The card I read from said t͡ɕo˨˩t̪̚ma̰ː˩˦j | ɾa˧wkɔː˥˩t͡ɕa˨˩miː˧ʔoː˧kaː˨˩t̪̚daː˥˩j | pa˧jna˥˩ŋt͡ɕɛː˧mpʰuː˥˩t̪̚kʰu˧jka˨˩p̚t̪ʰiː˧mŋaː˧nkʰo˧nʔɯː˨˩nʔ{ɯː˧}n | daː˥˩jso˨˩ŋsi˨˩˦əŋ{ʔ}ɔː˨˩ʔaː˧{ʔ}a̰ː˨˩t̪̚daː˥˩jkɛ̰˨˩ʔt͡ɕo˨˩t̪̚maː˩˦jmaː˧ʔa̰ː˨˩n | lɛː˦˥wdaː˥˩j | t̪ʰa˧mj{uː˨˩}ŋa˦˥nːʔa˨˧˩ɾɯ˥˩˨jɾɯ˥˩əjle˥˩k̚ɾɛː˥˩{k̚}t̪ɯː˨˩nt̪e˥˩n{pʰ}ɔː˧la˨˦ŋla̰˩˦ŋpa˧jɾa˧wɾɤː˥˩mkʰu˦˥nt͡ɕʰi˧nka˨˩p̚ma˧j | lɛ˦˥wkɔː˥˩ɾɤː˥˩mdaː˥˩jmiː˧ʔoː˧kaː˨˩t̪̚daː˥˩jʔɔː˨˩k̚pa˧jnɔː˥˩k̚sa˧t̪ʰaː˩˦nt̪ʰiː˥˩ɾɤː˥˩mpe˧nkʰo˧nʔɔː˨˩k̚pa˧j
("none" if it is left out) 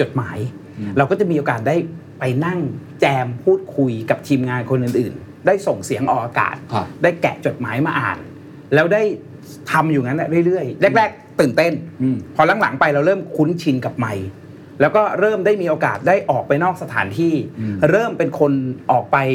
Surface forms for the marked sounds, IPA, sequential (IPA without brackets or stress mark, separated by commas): ɯː˨˩, ʔ, k, uː˨˩, k̚, pʰ